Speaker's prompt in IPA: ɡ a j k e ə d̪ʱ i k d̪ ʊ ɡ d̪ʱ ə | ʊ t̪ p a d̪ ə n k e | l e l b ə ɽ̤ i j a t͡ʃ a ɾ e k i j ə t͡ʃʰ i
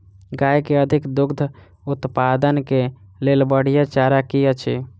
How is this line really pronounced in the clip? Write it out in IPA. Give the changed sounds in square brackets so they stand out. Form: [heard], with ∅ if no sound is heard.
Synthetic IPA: ɡ a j k e ə d̪ʱ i k d̪ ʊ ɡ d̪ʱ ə | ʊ t̪ p a d̪ ə n k e | l e l b ə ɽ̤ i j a t͡ʃ a ɾ [a] k i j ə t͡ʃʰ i

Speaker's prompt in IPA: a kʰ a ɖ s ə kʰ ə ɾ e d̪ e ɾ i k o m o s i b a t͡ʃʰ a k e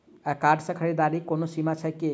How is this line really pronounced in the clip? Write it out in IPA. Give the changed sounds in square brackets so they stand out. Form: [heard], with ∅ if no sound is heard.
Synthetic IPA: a [k] a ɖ s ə kʰ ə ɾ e d̪ [a] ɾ i k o [n] o s i [m] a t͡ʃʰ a k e

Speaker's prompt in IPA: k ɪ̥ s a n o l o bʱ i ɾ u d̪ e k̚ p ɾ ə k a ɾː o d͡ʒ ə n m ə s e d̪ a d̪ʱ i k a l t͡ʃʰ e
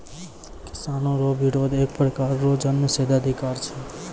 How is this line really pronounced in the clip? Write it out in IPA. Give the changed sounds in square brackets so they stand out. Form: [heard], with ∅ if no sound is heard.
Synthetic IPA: k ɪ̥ s a n o [ɾ] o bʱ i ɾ [o] d̪ e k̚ p ɾ ə k a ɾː o d͡ʒ ə n m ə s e d̪ a d̪ʱ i k a [ɾ] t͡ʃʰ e

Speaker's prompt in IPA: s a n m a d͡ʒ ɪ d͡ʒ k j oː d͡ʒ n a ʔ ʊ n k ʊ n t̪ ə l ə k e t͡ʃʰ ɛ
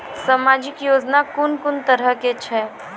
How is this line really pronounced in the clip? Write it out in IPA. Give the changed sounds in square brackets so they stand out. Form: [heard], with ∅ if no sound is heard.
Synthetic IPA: s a [∅] m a d͡ʒ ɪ [∅] k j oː d͡ʒ n a [k] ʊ n k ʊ n t̪ ə [ɾ] ə k e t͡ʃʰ ɛ

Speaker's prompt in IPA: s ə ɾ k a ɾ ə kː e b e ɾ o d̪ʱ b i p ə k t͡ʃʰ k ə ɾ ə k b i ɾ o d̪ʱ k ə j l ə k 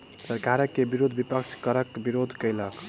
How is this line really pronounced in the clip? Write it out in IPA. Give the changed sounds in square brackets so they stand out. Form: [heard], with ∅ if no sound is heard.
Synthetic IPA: s ə ɾ k a ɾ ə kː e b [i] ɾ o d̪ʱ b i p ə k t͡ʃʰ k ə ɾ ə k b i ɾ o d̪ʱ k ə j l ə k

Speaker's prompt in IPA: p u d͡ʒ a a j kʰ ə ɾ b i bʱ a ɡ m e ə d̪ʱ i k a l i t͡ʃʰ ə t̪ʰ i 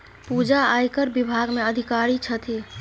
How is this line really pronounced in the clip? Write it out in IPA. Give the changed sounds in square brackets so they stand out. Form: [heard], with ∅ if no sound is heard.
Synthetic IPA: p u d͡ʒ a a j [k] ə ɾ b i bʱ a ɡ m e ə d̪ʱ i k a [ɾ] i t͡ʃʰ ə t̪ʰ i

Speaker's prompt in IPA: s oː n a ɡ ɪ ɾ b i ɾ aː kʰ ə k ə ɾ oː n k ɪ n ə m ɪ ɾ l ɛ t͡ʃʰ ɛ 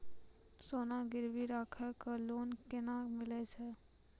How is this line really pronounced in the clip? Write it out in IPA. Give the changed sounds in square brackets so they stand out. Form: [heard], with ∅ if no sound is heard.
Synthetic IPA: s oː n a ɡ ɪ ɾ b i ɾ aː kʰ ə k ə [l] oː n k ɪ n [a] m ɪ [∅] l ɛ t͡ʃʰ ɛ

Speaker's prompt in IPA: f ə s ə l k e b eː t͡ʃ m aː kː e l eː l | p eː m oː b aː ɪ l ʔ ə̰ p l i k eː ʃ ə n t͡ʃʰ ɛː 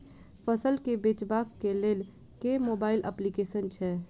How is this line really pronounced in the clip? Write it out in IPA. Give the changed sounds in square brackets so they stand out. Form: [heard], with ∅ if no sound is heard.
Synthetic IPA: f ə s ə l k e b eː t͡ʃ [b] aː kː e l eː l | [k] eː m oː b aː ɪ l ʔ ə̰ p l i k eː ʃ ə n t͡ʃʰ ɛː

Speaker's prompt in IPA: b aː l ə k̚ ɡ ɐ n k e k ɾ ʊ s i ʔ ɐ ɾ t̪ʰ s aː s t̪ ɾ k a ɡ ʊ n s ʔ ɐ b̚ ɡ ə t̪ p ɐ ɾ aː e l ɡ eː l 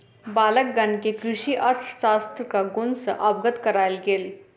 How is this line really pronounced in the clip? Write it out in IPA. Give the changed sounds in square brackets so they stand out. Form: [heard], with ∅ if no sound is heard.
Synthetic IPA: b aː l ə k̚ ɡ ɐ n k e k ɾ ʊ [ʃ] i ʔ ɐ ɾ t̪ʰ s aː s t̪ ɾ k a ɡ ʊ n s ʔ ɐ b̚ ɡ ə t̪ [k] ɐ ɾ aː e l ɡ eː l

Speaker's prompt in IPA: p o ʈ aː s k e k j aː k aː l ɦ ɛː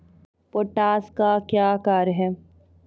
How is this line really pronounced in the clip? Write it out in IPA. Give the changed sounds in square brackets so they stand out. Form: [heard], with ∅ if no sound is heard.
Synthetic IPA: p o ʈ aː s k [a] k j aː k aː [ɾ] ɦ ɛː

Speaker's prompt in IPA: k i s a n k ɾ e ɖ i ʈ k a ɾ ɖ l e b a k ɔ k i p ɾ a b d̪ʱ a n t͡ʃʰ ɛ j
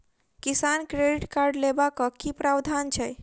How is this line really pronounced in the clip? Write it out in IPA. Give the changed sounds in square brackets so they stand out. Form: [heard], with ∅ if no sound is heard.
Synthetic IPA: k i s a n k ɾ e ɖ i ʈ k a ɾ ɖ l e b a k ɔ k i p ɾ a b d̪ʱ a n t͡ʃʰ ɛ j

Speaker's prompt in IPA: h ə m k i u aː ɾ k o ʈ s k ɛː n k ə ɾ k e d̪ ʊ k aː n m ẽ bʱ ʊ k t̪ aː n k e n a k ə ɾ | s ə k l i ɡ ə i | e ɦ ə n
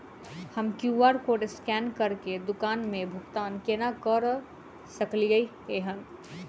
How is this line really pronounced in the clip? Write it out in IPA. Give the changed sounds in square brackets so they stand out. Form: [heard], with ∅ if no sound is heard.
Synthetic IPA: h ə m k [j] u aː ɾ k o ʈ s k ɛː n k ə ɾ k e d̪ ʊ k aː n m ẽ bʱ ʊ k t̪ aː n k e n a k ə ɾ | s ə k l i ɡ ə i | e ɦ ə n

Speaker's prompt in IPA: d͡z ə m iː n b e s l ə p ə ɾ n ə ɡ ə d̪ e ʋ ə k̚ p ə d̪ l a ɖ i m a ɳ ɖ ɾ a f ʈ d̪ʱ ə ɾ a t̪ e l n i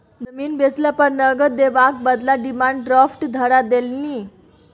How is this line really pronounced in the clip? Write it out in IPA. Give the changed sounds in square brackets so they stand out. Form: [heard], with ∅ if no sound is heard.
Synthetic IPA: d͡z ə m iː n b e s l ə p ə ɾ n ə ɡ ə d̪ e ʋ [a] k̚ [b] ə d̪ l a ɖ i m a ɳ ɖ ɾ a f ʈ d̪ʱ ə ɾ a [d̪] e l n i

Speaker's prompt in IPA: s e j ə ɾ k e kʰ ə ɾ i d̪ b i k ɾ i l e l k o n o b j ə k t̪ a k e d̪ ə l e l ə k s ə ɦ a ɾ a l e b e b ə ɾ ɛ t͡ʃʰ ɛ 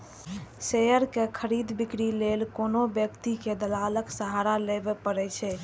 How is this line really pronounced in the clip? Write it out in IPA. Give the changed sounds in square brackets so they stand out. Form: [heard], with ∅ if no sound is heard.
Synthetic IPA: s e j ə ɾ k e kʰ ə ɾ i d̪ b i k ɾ i l e l k o n o b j ə k t̪ [i] k e d̪ ə l [a] l ə k s ə ɦ a ɾ a l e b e [p] ə ɾ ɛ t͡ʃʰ ɛ

